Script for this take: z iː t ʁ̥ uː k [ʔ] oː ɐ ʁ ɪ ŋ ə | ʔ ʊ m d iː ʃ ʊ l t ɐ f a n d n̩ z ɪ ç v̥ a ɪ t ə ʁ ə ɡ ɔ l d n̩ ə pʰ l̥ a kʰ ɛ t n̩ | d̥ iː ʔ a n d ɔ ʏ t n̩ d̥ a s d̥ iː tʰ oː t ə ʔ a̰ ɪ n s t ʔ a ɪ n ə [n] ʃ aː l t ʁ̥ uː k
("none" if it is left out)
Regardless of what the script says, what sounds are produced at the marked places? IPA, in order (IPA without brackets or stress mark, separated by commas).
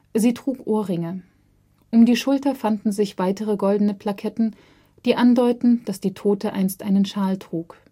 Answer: ʔ, n